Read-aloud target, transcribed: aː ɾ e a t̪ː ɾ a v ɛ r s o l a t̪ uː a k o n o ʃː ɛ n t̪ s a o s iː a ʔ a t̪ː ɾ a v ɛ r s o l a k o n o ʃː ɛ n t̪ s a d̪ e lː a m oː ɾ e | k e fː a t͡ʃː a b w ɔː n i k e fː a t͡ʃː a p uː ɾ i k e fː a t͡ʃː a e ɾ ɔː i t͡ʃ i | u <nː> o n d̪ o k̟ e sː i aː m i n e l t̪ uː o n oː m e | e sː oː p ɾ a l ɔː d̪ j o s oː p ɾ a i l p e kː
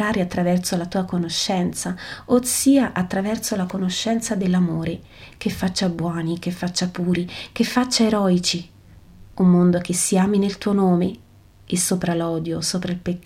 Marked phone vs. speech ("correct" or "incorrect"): incorrect